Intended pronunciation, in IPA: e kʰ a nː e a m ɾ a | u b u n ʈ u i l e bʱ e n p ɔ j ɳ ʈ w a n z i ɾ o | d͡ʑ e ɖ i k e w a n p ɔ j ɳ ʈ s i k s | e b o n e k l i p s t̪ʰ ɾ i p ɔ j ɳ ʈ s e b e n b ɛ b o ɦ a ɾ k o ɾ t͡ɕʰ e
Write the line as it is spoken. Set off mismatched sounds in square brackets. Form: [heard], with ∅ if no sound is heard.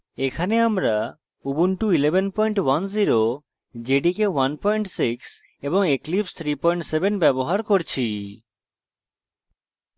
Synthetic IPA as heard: e kʰ a [n] e a m ɾ a | u b u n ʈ u i l e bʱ e n p ɔ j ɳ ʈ w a n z i ɾ o | d͡ʑ e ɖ i k e w a n p ɔ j ɳ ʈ s i k s | e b o [ŋ] e k l i p s t̪ʰ ɾ i p ɔ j ɳ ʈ s e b e n b ɛ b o ɦ a ɾ k o ɾ t͡ɕʰ [i]